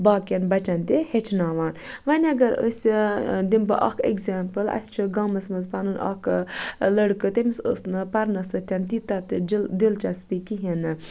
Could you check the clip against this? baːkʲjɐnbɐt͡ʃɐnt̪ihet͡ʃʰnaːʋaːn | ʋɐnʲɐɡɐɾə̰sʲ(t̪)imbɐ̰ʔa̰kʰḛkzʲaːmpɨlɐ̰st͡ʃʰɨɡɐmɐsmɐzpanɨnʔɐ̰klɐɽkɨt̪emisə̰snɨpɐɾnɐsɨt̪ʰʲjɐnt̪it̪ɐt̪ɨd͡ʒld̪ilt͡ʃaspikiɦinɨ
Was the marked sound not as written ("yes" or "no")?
yes